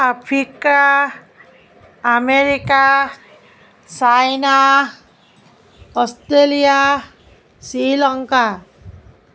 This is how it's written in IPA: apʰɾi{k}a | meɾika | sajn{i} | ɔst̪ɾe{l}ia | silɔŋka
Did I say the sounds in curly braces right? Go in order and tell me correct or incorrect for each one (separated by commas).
correct, incorrect, correct